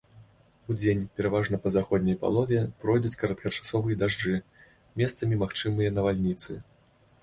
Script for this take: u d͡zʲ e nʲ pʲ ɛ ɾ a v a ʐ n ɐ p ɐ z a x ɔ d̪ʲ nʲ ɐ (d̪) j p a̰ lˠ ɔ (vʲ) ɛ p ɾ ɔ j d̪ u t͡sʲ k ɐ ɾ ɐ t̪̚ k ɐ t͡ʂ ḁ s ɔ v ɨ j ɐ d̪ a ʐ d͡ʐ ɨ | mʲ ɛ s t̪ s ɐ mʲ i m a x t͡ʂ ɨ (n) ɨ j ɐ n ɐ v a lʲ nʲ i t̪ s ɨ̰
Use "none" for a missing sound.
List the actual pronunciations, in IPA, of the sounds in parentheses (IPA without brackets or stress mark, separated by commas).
none, vʲ, m